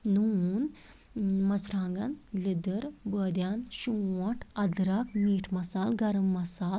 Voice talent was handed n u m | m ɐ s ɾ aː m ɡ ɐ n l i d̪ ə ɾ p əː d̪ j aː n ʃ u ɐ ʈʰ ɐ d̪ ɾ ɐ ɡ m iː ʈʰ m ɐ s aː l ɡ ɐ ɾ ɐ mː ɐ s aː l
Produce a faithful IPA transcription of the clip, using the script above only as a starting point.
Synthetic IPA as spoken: n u n | m ɐ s ɾ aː ŋ ɡ ɐ n l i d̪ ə ɾ b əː d̪ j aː n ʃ u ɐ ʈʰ ɐ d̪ ɾ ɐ k m iː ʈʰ m ɐ s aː l ɡ ɐ ɾ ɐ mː ɐ s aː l